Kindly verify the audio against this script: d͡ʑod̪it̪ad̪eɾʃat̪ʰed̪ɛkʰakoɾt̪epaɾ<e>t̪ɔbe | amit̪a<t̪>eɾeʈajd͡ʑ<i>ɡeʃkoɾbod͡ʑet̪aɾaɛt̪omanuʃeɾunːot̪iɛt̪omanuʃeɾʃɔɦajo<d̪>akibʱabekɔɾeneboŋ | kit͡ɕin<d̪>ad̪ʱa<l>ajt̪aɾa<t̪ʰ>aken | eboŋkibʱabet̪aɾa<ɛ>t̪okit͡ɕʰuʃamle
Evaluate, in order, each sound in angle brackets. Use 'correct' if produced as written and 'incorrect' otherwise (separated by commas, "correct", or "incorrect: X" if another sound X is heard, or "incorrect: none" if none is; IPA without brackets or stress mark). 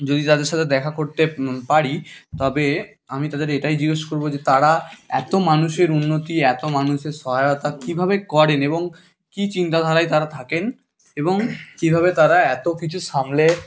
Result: incorrect: i, incorrect: d̪, correct, incorrect: t̪, incorrect: t̪, incorrect: ɾ, correct, correct